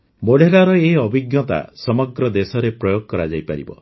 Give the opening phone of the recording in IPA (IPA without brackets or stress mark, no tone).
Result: m